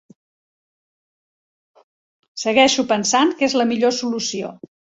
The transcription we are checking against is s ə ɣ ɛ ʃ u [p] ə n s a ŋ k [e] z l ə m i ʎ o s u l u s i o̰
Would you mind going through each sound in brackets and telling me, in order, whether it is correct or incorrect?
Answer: correct, correct

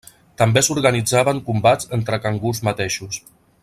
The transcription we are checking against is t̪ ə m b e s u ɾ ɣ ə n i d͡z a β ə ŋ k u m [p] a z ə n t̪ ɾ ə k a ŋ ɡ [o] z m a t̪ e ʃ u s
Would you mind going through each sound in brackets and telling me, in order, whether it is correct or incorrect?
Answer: incorrect: b, incorrect: u

